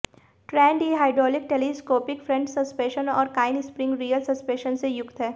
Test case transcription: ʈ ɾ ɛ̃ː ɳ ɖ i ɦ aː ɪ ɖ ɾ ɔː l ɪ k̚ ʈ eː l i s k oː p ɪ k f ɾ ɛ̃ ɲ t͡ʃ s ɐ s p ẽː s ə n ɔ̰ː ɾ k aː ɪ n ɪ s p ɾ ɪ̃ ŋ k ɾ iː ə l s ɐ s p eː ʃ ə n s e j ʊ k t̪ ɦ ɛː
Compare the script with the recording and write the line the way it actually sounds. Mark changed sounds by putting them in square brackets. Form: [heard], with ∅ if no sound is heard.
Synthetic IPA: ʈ ɾ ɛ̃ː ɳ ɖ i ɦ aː ɪ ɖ ɾ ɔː l ɪ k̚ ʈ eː l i s k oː p ɪ k f ɾ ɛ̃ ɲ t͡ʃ s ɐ s p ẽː [ʃ] ə n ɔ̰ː ɾ k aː ɪ n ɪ s p ɾ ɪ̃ ŋ [ɡ] ɾ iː ə l s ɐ s p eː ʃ ə n s e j ʊ k t̪ ɦ ɛː